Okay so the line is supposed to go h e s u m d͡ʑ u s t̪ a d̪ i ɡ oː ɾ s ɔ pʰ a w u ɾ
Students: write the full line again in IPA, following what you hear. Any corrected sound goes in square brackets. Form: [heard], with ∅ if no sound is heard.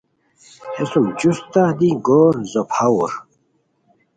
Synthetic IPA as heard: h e s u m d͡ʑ u s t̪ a d̪ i ɡ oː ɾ [z] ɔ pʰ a w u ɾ